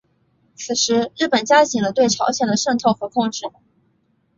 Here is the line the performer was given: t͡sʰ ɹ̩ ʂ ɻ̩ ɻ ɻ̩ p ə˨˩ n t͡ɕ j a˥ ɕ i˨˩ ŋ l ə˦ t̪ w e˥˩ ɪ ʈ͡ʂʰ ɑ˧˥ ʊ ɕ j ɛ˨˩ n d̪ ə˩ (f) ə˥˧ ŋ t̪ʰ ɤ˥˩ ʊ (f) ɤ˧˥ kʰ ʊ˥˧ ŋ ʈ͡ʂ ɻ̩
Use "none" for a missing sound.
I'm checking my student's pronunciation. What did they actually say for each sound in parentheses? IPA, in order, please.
ʂ, x

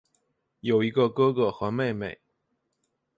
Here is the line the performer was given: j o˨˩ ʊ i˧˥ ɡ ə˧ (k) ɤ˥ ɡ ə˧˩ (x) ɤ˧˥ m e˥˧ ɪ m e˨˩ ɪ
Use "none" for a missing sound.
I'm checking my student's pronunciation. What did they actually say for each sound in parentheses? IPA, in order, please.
k, x

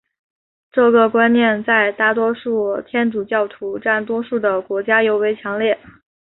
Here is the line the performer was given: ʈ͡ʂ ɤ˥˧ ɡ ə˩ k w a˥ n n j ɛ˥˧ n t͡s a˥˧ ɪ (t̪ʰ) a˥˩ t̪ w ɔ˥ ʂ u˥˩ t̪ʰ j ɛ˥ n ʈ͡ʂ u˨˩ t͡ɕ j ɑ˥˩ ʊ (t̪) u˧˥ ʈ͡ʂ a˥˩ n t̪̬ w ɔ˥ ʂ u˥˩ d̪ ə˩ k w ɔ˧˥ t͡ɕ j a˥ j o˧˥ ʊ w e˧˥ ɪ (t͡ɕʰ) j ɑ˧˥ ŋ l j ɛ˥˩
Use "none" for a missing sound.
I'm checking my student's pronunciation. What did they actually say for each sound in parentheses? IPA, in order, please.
t̪, t̪ʰ, t͡ɕʰ

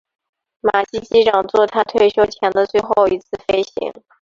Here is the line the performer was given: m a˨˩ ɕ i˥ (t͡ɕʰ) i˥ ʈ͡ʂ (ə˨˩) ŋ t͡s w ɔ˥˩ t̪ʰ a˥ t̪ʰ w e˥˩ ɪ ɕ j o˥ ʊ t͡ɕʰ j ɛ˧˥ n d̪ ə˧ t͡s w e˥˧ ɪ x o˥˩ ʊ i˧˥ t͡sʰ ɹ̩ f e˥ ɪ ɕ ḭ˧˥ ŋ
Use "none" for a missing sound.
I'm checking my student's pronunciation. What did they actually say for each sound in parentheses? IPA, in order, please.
t͡ɕ, ɑ˨˩

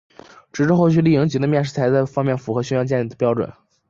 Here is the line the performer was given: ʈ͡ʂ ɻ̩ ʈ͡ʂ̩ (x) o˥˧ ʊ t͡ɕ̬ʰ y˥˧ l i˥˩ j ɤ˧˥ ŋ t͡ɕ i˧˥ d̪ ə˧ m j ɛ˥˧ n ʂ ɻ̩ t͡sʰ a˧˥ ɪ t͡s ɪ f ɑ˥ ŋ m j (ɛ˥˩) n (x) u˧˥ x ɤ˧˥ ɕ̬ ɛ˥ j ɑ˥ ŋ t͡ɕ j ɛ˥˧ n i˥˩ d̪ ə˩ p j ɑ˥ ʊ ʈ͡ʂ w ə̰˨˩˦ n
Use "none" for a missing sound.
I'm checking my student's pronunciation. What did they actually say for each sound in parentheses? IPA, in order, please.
x, ɛ˥˩, f

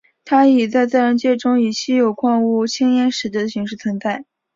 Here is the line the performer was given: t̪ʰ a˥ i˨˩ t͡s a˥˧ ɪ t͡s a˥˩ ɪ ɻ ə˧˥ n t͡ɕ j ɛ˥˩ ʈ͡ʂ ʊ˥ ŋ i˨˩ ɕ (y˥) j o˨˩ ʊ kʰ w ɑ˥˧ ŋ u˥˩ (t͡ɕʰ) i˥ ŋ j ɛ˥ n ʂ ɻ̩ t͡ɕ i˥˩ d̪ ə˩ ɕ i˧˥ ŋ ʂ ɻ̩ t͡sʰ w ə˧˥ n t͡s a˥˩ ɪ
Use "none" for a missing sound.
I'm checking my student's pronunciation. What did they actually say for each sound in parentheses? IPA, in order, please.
i˥, t͡ɕʰ

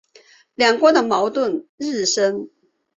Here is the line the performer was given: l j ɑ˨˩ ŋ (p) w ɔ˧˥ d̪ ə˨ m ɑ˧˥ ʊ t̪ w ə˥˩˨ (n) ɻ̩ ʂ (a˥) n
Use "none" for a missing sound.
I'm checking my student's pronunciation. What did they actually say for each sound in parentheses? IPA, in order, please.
k, n, ə˥

